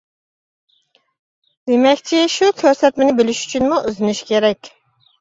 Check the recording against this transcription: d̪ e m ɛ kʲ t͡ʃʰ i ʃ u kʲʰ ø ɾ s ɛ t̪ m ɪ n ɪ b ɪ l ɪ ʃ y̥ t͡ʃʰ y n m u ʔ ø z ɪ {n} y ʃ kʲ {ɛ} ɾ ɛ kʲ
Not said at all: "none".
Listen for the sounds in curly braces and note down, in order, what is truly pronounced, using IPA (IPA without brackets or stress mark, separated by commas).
n, e